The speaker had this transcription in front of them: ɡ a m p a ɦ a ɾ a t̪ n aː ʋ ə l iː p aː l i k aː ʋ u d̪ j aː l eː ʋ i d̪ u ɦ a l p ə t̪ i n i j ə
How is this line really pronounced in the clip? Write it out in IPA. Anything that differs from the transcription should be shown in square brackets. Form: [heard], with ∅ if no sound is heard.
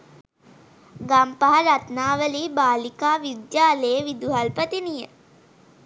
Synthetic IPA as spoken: ɡ a m p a ɦ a ɾ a t̪ n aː ʋ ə l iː [b] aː l i k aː ʋ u d̪ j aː l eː ʋ i d̪ u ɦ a l p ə t̪ i n i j ə